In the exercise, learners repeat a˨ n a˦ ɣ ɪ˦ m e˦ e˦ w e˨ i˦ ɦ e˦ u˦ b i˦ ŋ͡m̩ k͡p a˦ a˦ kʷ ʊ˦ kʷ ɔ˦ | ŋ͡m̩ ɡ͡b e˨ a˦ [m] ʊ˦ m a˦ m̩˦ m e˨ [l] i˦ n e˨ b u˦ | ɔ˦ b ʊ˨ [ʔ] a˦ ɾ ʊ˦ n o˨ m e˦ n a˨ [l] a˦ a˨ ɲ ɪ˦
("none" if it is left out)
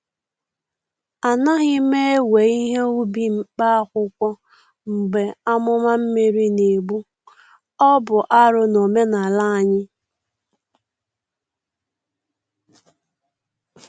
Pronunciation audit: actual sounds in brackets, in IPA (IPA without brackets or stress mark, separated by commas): m, ɾ, ʔ, l